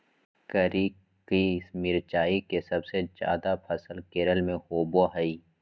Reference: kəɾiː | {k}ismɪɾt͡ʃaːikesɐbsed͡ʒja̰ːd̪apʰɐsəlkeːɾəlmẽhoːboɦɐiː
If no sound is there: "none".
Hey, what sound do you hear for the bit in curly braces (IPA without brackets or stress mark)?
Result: k